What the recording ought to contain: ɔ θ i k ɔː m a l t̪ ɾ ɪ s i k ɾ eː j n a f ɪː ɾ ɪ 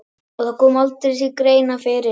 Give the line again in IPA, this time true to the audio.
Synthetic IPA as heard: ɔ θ a k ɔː m a l t̪ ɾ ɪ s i k ɾ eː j n a f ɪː ɾ ɪ